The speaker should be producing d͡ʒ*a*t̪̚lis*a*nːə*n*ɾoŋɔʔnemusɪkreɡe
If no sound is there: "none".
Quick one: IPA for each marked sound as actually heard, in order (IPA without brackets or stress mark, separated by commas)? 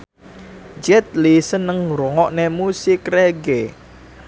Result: ɛ, ə, ŋ